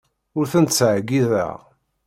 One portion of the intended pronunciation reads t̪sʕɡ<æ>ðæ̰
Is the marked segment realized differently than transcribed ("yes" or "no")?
yes